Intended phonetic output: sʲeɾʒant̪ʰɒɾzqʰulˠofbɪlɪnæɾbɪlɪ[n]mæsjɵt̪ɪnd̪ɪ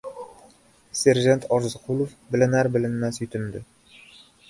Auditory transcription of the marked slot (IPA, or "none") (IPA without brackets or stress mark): n